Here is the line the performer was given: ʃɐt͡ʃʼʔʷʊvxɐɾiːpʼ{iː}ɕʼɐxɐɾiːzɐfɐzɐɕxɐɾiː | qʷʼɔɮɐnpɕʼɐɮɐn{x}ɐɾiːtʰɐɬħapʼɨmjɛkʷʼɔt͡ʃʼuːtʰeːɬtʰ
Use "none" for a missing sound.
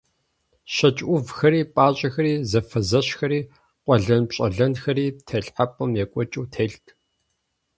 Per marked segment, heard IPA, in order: aː, x

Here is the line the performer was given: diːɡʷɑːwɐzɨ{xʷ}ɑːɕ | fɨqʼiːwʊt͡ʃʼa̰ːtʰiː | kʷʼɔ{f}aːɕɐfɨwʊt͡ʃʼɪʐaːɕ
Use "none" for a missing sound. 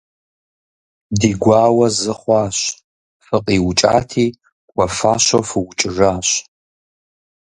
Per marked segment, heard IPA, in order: χʷ, f

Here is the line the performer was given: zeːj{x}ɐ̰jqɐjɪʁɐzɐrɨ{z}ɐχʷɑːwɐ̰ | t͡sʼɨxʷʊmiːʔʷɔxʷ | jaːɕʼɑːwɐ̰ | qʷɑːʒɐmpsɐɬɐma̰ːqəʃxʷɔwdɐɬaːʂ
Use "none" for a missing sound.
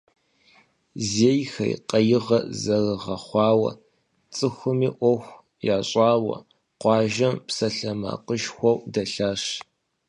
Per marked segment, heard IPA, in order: x, ʁ

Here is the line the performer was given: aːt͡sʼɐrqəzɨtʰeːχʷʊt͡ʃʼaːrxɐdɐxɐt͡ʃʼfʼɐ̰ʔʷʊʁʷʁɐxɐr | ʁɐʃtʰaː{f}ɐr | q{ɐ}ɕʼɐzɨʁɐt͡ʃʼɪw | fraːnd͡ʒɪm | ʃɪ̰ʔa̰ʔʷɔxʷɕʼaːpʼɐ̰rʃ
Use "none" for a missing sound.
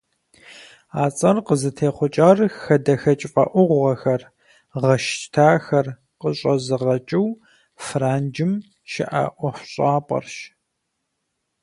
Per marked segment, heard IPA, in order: x, ə

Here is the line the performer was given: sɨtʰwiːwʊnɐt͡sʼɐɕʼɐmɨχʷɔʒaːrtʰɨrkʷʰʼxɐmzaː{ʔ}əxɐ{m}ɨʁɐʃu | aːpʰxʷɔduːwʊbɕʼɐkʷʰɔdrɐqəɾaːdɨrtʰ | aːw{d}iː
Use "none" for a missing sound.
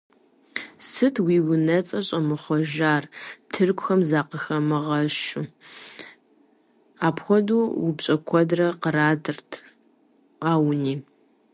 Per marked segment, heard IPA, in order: q, m, n

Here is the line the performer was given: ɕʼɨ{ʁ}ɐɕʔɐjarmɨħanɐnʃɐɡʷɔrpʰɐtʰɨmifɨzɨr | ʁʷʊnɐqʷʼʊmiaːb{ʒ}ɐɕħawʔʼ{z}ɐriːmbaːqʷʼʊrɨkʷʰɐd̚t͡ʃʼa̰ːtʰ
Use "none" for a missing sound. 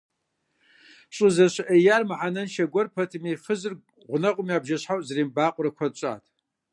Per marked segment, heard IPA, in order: z, ʒ, z

